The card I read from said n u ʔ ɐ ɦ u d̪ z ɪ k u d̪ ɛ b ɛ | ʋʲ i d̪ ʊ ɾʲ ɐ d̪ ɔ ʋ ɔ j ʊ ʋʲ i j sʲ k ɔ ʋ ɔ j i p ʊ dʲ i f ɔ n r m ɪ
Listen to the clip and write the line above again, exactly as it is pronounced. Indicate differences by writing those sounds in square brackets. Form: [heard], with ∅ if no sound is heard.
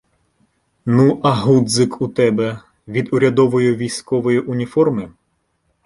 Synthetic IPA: n u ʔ ɐ ɦ u d̪ z ɪ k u [t̪] ɛ b ɛ | ʋʲ i d̪ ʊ ɾʲ ɐ d̪ ɔ ʋ ɔ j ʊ ʋʲ i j sʲ k ɔ ʋ ɔ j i [ʔ] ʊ [nʲ] i f ɔ [∅] r m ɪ